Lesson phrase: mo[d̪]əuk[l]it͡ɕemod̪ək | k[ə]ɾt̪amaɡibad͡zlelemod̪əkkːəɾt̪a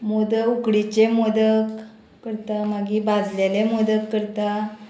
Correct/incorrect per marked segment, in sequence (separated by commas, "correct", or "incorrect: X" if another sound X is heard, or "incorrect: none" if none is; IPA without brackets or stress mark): correct, incorrect: ɽ, correct